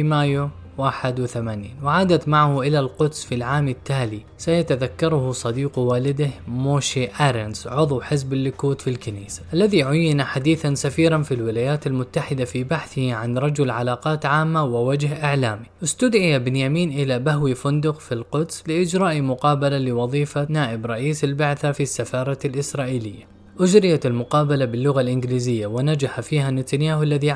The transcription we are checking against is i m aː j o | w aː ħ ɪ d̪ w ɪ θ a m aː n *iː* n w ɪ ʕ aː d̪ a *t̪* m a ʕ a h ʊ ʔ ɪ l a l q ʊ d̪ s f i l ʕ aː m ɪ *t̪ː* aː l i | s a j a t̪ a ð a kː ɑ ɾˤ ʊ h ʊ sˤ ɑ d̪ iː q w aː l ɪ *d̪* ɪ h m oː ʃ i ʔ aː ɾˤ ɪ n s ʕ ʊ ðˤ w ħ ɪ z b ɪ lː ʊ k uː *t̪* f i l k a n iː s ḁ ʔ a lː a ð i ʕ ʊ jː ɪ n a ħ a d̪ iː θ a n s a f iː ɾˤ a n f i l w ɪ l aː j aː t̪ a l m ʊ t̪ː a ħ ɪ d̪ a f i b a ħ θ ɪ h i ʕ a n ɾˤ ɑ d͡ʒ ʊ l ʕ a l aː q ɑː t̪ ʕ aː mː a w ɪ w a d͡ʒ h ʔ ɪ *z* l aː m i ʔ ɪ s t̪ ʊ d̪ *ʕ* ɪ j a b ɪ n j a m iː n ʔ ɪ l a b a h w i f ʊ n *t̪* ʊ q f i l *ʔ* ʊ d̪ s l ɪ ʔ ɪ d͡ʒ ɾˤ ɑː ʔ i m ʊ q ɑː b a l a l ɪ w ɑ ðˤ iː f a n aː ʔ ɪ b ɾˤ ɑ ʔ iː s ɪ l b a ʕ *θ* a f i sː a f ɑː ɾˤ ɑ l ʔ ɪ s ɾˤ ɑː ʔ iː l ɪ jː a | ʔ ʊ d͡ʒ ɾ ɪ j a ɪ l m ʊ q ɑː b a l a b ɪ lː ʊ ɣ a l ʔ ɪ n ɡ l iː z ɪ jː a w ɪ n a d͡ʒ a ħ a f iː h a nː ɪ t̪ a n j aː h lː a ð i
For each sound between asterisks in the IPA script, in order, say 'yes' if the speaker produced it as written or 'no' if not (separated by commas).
yes, yes, yes, yes, yes, no, yes, no, no, yes